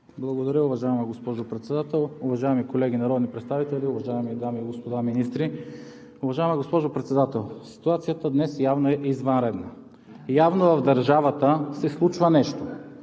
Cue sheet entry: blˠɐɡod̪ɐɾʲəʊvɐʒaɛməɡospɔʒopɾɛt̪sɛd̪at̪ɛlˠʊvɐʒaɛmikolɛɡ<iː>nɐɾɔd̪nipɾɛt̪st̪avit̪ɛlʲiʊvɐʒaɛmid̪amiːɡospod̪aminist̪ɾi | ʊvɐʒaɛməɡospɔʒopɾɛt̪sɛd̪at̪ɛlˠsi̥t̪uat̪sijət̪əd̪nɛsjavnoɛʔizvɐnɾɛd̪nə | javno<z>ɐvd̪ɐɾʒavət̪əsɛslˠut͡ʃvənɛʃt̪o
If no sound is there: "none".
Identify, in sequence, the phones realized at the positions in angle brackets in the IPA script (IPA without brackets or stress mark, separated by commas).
i, v